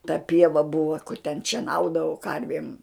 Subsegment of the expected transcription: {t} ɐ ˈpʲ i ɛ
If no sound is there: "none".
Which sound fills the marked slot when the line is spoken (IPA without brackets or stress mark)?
t